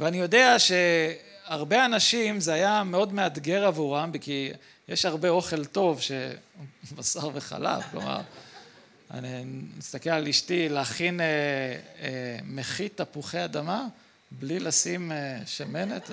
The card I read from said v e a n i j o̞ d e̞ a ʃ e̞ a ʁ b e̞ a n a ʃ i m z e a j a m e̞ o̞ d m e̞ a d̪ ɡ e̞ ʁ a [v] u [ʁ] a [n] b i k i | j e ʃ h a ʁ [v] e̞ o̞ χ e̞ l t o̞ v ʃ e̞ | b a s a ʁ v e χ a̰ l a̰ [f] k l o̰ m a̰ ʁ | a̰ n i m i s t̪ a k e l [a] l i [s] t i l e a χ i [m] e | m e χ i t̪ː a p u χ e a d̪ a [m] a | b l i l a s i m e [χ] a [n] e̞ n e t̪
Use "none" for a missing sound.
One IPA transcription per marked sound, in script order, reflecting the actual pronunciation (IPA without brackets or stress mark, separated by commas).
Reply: v, ʁ, m, b, f, a, ʃ, n, m, ʃ, m